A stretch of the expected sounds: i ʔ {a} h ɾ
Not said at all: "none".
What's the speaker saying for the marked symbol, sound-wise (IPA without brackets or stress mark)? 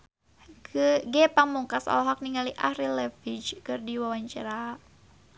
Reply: a